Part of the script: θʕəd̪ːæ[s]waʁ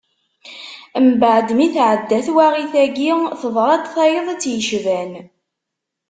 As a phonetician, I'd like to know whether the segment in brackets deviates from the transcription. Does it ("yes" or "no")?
yes